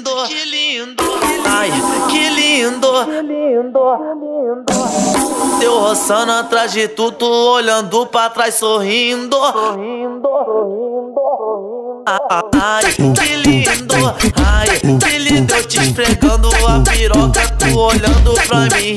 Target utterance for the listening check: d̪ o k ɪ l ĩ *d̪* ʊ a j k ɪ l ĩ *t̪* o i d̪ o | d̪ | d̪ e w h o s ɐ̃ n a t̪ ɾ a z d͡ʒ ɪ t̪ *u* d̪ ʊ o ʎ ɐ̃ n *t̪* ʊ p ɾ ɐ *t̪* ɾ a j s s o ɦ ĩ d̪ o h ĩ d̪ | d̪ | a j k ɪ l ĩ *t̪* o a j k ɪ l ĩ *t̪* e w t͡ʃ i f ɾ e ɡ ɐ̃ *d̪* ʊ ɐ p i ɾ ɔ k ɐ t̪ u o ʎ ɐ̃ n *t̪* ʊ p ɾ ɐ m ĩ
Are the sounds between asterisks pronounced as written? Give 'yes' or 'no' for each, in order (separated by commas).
yes, no, yes, no, yes, no, no, yes, no